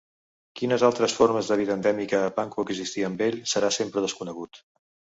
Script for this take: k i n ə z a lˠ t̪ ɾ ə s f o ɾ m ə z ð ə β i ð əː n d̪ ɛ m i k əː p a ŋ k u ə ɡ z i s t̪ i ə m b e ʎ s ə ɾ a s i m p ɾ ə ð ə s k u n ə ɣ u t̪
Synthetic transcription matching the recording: k i n ə z a lˠ t̪ ɾ ə s f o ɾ m ə z ð ə β i ð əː n d̪ ɛ m i k əː p a ŋ k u ə ɡ z i s t̪ i ə m b e ʎ s ə ɾ a s e m p ɾ ə ð ə s k u n ə ɣ u t̪